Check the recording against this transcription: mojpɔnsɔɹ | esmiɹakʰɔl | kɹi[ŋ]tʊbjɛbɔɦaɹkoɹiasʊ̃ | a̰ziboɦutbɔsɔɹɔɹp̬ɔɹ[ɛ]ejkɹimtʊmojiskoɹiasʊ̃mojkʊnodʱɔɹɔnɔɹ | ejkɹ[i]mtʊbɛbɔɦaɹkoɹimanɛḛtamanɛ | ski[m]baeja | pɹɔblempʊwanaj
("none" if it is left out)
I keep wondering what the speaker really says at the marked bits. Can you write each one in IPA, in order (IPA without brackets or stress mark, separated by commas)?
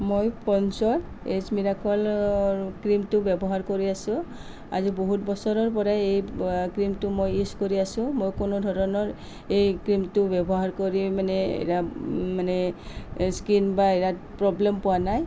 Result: m, a, i, n